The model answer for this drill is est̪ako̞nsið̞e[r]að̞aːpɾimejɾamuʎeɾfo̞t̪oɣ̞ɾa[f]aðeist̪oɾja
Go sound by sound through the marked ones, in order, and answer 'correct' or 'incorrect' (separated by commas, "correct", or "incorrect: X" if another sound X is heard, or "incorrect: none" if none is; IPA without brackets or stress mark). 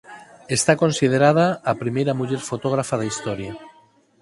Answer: incorrect: ɾ, correct